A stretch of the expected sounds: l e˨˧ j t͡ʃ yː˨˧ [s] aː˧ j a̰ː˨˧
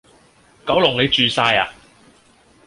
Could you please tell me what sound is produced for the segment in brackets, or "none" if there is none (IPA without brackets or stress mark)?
s